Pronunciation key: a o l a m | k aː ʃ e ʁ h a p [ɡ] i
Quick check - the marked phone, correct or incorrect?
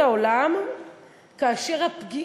correct